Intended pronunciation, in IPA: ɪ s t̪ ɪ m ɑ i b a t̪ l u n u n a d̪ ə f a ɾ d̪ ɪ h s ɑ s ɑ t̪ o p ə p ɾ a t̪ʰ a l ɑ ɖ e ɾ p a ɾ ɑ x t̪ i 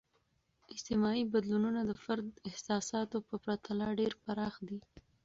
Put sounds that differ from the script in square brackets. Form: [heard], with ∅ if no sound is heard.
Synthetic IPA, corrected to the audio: ɪ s t̪ ɪ m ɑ i b a [d̪] l u n u n a d̪ ə f a ɾ d̪ ɪ h s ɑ s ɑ t̪ o p ə p ɾ a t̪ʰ a l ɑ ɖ e ɾ p a ɾ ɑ x [d̪] i